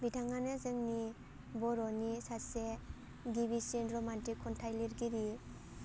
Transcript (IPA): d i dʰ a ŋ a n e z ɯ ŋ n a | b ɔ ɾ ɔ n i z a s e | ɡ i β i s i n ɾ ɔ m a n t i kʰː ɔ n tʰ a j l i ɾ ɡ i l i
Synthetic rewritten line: b i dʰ a ŋ a n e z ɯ ŋ n i | b ɔ ɾ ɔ n i s a s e | ɡ i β i s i n ɾ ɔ m a n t i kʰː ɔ n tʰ a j l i ɾ ɡ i ɾ i